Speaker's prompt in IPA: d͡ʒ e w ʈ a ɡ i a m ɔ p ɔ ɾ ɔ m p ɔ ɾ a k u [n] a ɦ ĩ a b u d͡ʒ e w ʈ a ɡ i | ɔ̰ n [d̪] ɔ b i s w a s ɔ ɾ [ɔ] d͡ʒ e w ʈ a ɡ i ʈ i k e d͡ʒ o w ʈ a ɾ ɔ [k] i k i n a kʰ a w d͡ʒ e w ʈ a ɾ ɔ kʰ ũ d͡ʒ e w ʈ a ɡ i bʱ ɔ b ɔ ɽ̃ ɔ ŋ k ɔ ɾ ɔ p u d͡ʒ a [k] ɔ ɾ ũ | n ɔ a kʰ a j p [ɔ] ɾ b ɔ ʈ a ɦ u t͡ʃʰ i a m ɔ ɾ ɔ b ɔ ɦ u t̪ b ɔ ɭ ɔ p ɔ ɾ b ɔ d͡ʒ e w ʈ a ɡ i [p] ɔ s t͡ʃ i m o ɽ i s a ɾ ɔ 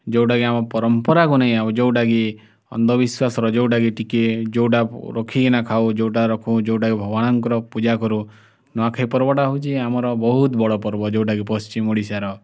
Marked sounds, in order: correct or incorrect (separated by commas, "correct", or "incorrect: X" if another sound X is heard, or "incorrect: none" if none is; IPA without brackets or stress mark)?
correct, correct, correct, incorrect: kʰ, correct, correct, correct